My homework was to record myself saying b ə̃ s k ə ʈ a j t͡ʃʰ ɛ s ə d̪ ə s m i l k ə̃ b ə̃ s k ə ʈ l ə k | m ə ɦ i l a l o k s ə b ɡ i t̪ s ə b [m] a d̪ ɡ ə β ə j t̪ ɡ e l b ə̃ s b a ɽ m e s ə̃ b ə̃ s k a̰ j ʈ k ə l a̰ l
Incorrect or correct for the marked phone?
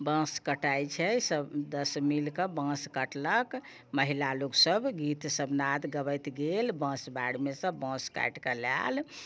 incorrect: n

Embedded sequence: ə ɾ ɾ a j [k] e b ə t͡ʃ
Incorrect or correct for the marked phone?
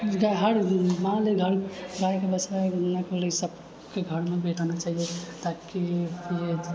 correct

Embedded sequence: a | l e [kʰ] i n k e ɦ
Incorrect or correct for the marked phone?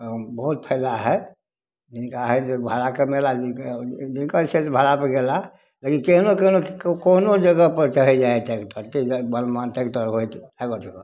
incorrect: k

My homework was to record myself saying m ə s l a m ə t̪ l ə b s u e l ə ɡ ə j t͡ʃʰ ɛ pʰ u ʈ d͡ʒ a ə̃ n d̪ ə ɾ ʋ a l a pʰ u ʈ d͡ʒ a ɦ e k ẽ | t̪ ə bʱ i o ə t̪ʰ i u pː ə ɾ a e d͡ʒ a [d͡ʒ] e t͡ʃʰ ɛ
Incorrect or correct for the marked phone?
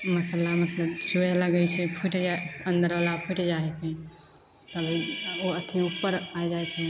incorrect: none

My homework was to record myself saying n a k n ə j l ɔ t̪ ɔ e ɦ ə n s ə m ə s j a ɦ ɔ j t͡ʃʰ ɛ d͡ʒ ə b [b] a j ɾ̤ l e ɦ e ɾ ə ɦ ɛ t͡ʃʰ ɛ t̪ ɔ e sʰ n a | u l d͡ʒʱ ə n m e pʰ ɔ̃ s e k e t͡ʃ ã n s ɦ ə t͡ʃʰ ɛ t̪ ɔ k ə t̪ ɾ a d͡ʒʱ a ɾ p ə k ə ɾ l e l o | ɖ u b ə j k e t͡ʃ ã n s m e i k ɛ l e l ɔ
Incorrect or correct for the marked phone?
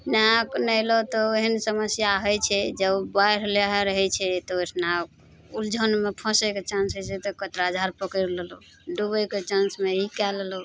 correct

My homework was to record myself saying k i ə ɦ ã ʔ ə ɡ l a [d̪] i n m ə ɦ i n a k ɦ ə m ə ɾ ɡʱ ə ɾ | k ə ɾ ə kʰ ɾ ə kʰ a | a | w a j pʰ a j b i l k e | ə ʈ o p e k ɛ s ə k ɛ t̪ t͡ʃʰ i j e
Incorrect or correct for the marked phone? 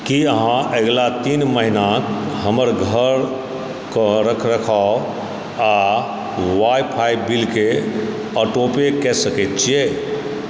incorrect: t̪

